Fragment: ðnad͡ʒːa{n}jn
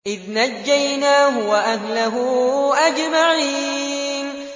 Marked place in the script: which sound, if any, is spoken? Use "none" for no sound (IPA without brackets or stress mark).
none